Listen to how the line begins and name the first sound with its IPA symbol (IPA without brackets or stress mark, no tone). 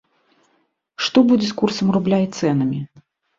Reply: ʂ